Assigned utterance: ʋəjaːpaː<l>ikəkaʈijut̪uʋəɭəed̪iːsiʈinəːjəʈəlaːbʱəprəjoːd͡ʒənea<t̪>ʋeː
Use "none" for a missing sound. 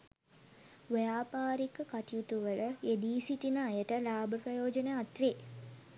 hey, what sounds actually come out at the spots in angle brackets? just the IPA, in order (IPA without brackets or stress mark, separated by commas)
ɾ, t̪